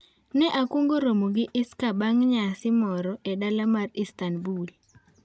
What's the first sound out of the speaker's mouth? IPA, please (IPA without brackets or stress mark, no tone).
n